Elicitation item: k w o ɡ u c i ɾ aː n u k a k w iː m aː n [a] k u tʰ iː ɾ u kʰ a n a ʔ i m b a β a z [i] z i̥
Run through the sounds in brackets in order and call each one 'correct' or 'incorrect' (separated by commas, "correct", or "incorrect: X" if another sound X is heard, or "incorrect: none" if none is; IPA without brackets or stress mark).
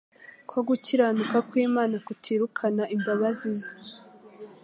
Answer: correct, correct